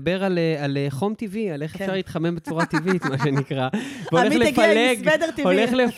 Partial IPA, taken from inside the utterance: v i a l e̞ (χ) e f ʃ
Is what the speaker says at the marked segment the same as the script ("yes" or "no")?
yes